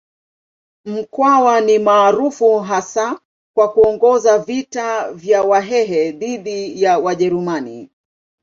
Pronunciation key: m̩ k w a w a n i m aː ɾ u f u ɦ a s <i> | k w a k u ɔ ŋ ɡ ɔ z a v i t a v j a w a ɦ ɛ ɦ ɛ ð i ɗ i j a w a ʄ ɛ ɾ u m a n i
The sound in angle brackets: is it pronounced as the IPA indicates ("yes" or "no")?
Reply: no